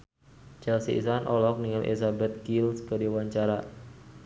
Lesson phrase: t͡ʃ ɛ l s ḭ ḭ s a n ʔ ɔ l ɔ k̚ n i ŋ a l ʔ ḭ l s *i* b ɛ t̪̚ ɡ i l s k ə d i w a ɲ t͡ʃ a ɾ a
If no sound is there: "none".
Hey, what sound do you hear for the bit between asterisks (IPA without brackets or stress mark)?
a